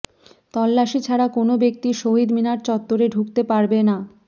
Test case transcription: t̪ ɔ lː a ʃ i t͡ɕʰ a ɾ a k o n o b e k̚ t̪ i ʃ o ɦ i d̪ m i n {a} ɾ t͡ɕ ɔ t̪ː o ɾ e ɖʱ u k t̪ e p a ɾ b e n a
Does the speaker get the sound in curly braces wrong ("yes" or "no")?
no